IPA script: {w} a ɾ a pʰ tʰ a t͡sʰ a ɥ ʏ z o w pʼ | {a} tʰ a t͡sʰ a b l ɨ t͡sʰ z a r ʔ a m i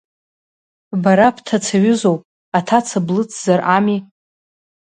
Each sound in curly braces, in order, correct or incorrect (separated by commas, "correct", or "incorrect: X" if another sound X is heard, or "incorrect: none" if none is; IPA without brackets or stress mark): incorrect: b, correct